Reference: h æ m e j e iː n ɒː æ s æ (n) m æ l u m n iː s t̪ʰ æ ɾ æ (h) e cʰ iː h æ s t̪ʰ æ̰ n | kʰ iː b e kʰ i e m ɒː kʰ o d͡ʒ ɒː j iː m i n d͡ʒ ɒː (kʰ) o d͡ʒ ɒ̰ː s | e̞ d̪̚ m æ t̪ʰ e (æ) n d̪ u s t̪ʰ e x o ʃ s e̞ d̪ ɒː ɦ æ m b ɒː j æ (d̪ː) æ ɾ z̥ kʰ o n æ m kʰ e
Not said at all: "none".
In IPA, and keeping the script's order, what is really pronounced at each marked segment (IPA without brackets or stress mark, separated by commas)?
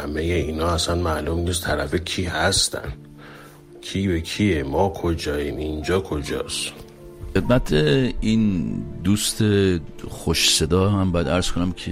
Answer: n, f, kʰ, i, d̪